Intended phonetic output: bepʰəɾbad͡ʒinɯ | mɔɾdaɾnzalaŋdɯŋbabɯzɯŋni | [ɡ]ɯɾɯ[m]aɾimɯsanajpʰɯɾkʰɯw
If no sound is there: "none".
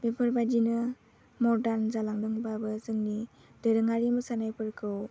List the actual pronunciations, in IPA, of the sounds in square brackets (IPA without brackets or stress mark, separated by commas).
d, ŋ